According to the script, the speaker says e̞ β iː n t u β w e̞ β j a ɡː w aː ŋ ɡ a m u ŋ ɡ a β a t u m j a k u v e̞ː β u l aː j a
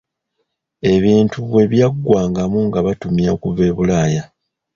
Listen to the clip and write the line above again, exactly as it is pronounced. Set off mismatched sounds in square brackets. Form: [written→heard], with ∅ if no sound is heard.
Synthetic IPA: e̞ β iː n t u β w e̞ β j a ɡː w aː ŋ ɡ a m u ŋ ɡ a β a t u m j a k u v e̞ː β u l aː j a